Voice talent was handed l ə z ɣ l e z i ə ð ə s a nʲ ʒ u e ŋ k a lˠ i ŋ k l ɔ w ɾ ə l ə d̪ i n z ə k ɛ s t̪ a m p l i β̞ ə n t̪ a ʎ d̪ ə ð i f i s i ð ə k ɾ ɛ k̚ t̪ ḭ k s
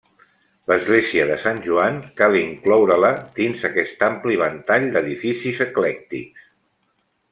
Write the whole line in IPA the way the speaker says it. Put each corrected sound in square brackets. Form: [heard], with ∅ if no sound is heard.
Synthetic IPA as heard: l ə z ɣ l e z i ə ð ə s a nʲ ʒ u [a] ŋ k a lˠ i ŋ k l ɔ w ɾ ə l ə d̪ i n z ə k ɛ s t̪ a m p l i β̞ ə n t̪ a ʎ d̪ ə ð i f i s i [z] ə k [l] ɛ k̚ t̪ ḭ k s